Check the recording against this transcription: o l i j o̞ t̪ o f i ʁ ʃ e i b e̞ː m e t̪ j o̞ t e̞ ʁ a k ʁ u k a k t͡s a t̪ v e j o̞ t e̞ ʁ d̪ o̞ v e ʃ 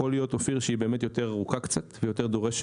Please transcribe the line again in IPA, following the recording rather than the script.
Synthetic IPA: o l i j o̞ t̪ o f i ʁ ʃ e i b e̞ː m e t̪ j o̞ t e̞ ʁ a ʁ u k a k t͡s a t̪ v e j o̞ t e̞ ʁ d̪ o̞ ʁ e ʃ